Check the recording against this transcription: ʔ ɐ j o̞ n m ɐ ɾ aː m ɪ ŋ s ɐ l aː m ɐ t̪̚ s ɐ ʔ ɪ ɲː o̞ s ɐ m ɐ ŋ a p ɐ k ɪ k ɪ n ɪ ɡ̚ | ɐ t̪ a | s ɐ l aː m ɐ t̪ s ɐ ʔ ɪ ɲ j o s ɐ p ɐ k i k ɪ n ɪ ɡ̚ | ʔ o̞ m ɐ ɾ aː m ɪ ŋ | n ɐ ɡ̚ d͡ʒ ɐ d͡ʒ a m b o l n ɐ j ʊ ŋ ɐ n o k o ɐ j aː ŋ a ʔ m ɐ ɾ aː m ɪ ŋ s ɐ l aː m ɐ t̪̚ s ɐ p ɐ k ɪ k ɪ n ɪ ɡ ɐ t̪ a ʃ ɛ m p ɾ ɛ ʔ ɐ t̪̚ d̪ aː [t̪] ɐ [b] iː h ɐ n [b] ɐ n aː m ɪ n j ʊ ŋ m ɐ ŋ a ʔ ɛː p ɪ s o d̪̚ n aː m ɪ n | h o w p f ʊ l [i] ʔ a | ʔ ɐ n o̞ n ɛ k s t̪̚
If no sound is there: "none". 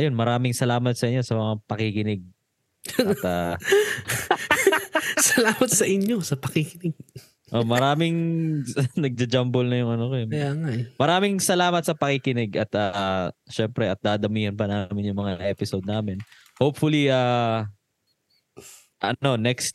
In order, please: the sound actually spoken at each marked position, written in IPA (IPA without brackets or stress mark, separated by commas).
d̪, m, p, i